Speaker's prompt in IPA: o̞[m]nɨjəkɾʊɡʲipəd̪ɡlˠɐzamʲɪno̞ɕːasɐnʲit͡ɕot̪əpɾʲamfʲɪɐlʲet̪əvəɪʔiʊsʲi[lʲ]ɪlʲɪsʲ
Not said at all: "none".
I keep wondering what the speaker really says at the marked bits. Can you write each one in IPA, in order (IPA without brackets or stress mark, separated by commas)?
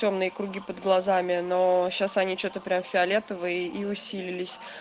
m, lʲ